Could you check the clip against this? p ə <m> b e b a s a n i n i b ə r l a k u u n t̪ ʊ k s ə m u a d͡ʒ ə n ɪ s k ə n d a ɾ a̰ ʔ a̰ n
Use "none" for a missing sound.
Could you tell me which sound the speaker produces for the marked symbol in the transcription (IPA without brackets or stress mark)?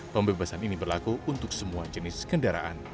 m